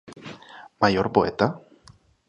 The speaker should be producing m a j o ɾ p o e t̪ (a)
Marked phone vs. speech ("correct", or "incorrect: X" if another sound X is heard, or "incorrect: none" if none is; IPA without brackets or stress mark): correct